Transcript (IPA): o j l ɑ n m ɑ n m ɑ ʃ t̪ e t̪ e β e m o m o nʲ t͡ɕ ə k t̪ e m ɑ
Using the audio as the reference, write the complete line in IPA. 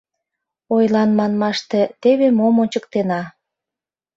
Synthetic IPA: o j l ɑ n m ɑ n m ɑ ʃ t̪ e t̪ e β e m o m o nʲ t͡ɕ ə k t̪ e n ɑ